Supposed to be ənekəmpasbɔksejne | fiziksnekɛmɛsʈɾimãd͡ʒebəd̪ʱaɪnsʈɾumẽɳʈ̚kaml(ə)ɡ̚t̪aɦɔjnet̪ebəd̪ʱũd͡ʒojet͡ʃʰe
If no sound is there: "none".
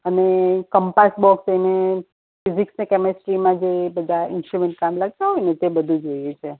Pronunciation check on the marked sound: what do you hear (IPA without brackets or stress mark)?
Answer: a